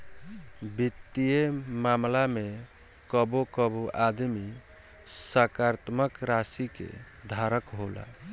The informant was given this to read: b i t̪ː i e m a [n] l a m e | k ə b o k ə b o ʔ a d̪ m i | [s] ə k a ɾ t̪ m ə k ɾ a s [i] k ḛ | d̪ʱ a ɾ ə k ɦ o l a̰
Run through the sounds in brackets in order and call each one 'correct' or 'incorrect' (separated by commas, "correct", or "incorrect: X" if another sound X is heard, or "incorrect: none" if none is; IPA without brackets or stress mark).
incorrect: m, correct, correct